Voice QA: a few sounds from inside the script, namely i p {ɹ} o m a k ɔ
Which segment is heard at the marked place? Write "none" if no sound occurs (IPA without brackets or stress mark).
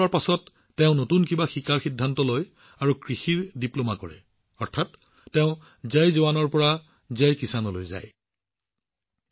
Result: l